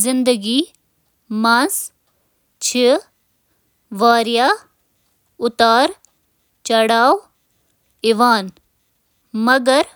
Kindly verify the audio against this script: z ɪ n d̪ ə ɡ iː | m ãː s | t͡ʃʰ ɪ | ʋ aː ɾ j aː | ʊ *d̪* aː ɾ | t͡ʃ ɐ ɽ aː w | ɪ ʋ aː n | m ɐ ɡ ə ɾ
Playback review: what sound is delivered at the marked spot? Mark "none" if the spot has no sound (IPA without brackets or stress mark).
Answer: t̪